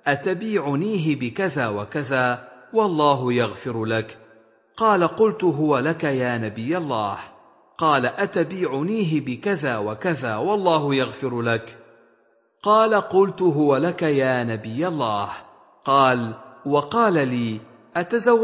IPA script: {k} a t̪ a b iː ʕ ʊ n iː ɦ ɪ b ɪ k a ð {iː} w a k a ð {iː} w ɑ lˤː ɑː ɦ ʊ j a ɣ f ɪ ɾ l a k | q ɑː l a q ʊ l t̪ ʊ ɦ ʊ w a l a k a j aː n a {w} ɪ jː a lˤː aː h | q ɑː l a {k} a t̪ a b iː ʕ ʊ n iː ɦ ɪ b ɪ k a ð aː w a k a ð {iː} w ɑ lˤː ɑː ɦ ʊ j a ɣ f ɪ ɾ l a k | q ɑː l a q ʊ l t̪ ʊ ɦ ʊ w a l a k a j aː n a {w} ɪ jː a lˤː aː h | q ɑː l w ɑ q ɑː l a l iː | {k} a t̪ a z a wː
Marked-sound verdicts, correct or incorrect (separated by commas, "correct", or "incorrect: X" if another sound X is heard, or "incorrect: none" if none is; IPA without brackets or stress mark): incorrect: ʔ, incorrect: aː, incorrect: aː, incorrect: b, incorrect: ʔ, incorrect: aː, incorrect: b, incorrect: ʔ